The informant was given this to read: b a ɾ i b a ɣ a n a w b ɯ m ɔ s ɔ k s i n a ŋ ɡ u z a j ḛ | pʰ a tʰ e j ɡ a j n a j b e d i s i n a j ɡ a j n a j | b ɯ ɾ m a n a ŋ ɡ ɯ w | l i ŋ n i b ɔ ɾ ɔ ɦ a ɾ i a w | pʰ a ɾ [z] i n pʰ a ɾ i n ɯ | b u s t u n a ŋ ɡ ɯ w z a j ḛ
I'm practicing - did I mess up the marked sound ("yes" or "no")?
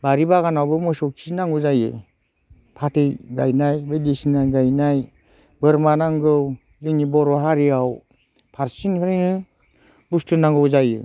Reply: yes